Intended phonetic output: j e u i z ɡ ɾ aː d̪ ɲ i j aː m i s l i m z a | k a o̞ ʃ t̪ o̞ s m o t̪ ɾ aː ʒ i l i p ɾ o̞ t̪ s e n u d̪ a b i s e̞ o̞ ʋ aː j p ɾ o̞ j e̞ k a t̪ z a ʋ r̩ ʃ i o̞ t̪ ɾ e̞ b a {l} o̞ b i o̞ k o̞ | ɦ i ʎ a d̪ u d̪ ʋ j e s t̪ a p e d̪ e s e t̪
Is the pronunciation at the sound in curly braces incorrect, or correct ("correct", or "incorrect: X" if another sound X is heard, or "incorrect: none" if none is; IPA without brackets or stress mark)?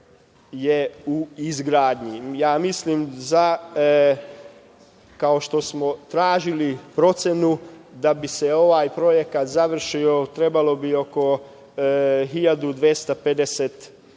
correct